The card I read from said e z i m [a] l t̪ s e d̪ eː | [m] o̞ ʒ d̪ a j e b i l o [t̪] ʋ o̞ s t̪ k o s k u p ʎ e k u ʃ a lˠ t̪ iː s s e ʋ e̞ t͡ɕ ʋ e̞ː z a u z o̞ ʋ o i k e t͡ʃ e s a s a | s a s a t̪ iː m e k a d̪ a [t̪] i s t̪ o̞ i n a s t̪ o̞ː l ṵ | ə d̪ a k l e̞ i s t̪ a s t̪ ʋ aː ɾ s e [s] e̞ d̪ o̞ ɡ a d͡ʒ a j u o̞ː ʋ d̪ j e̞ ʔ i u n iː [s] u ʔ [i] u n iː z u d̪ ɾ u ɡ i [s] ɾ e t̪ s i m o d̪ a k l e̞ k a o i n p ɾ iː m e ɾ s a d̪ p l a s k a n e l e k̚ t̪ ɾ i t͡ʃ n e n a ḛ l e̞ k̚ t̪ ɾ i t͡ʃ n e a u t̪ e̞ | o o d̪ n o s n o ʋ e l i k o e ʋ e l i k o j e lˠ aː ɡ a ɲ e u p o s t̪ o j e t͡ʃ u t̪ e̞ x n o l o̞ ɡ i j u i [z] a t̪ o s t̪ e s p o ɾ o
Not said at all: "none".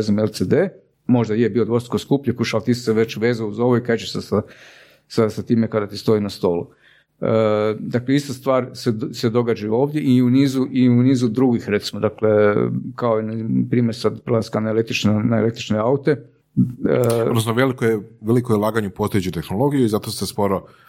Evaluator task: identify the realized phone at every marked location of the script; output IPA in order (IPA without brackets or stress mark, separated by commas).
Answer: e, m, d̪, t̪, s, z, i, x, z